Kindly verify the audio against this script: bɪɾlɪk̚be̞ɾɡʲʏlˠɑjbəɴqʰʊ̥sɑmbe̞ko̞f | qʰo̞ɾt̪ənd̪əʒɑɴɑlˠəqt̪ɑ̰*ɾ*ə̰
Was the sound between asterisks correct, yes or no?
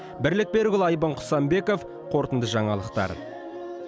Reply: yes